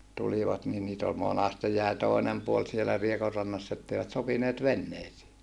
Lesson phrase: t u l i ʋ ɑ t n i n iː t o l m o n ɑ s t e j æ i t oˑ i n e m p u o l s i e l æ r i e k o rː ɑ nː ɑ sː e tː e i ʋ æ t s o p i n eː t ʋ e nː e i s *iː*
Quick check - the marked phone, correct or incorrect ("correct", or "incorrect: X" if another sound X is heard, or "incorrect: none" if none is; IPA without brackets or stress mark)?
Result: correct